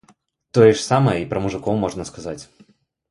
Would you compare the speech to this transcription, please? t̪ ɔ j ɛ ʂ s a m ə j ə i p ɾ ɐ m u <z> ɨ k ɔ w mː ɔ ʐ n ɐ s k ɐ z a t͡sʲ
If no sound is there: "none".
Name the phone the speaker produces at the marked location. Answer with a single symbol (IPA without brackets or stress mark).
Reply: ʐ